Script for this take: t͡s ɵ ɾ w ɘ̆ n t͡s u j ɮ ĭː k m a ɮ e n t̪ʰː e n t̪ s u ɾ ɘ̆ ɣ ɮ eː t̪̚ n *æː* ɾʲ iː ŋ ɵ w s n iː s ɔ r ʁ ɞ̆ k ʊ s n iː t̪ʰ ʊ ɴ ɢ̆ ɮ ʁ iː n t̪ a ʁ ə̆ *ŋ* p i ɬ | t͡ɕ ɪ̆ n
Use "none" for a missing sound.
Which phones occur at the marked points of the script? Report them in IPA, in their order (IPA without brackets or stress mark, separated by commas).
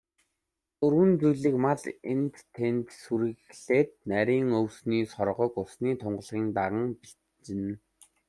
æ, ŋ